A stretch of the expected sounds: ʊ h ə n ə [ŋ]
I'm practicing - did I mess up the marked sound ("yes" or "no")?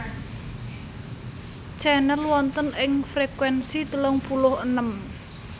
yes